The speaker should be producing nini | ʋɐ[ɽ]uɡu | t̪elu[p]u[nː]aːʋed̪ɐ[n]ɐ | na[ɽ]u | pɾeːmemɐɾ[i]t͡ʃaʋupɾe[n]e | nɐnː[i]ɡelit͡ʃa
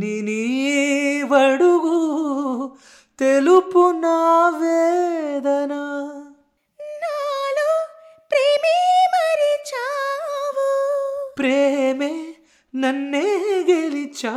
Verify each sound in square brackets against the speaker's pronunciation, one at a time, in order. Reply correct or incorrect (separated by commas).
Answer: correct, correct, incorrect, correct, incorrect, correct, incorrect, incorrect